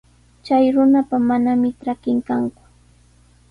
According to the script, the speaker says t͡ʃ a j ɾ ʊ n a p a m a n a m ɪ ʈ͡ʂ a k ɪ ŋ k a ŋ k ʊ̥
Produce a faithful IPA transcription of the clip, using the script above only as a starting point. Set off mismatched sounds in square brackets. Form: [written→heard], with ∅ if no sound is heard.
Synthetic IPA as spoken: t͡ʃ a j ɾ ʊ n a p a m a n a m ɪ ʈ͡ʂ a k ɪ ŋ k a ŋ k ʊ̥